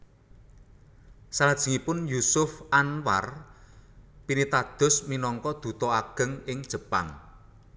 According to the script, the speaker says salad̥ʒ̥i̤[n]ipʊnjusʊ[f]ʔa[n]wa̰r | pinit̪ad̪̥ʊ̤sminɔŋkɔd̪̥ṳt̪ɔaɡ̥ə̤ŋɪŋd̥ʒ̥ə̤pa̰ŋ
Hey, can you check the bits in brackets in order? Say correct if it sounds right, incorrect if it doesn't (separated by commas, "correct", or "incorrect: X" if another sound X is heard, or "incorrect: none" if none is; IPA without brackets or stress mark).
incorrect: ŋ, correct, correct